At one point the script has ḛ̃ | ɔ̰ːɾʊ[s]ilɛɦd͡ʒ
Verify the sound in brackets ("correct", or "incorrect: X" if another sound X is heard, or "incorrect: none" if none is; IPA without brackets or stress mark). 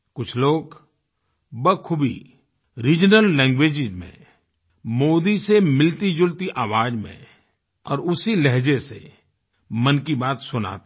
correct